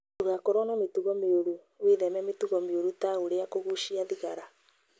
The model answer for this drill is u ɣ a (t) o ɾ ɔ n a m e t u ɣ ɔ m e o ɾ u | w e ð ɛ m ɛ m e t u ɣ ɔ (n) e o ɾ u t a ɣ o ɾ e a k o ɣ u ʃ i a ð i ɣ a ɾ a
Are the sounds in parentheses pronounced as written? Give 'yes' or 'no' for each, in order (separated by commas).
no, no